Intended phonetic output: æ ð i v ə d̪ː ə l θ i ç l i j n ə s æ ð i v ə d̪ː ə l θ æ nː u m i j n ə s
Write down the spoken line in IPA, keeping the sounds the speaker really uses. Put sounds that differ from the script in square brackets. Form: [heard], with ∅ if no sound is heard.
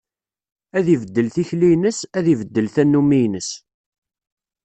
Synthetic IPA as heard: æ ð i v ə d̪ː ə l θ i ç l i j n ə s æ ð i v ə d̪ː ə l θ æ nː u m i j n ə s